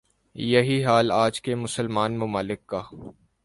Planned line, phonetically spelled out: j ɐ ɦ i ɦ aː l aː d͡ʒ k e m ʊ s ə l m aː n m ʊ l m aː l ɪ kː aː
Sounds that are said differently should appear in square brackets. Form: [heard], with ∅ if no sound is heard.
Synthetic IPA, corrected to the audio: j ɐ ɦ i ɦ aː l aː d͡ʒ k e m ʊ s ə l m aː n m ʊ [∅] m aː l ɪ kː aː